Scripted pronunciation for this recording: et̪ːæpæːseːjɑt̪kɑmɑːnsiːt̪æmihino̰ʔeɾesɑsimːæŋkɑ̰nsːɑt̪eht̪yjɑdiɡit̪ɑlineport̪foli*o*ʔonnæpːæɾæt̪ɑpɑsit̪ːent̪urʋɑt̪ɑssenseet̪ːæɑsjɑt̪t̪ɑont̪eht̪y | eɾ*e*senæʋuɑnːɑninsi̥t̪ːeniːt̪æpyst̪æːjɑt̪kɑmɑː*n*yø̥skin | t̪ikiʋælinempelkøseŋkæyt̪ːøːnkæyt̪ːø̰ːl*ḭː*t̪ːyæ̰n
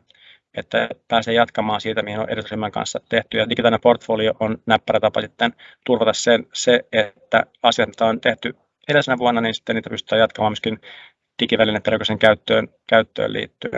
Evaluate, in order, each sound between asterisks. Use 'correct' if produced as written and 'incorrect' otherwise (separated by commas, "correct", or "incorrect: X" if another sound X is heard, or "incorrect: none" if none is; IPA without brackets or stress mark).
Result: correct, correct, incorrect: m, correct